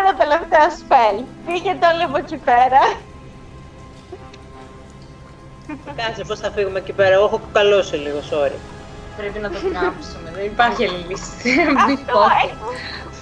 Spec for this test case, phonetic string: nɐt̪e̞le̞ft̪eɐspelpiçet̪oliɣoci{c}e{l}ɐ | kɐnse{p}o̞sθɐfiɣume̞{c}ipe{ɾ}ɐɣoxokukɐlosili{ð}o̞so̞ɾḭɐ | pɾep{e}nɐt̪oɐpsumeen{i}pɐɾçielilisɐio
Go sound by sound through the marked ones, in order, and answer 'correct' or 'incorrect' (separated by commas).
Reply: incorrect, incorrect, correct, correct, correct, incorrect, incorrect, correct